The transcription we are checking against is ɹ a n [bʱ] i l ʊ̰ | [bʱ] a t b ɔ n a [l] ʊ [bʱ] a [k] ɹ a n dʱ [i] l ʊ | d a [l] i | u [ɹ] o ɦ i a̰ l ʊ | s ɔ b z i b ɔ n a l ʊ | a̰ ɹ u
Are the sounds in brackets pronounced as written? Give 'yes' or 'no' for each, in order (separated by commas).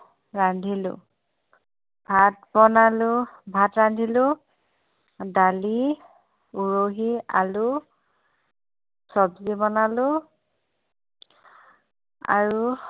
no, yes, yes, yes, no, yes, yes, yes